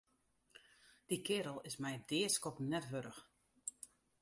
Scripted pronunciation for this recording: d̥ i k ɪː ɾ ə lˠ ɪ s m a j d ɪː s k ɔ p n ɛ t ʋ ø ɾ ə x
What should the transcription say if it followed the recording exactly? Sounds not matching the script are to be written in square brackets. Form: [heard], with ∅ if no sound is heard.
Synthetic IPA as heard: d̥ i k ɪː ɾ ə lˠ ɪ s m [ɛ] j d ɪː s k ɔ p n ɛ t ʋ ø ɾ ə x